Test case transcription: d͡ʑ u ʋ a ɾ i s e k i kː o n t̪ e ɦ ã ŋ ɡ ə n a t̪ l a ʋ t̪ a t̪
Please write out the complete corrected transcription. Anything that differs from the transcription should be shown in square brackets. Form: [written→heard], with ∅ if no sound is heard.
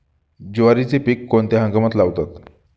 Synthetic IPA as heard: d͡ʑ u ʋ a ɾ i [s→t͡s] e [k→p] i kː o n t̪ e ɦ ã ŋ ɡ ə [n→m] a t̪ l a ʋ t̪ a t̪